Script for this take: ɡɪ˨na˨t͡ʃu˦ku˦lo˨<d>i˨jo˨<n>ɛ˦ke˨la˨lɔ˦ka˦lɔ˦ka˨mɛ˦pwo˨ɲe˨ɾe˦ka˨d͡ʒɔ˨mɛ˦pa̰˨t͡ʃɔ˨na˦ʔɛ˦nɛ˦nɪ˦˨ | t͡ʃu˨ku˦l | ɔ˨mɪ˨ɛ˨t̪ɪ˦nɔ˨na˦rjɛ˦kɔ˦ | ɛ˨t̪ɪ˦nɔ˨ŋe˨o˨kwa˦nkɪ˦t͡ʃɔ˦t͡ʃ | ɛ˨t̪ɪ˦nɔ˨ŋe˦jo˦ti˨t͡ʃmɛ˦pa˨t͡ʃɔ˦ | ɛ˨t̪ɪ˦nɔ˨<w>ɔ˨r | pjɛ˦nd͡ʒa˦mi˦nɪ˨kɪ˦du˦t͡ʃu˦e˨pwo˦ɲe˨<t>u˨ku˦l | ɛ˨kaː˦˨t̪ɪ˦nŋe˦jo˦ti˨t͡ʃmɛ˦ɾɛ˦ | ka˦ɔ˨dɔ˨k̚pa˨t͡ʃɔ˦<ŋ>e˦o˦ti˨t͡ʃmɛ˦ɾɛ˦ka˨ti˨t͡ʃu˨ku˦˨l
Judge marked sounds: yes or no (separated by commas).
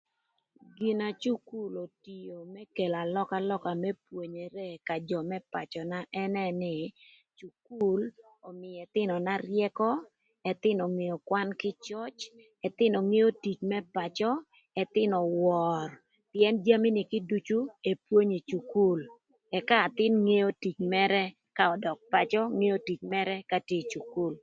no, no, yes, no, yes